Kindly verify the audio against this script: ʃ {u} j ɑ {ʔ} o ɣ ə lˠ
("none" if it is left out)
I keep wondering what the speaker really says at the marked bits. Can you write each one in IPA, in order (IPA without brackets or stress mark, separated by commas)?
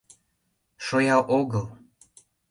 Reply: o, ʔ